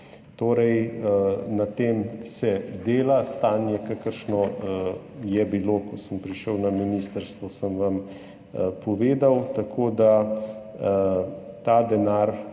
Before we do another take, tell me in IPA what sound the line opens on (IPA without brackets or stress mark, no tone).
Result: t̪